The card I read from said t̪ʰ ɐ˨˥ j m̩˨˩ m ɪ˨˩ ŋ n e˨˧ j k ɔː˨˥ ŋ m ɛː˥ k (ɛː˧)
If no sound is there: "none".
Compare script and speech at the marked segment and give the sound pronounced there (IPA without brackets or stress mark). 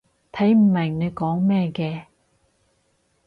ɛː˧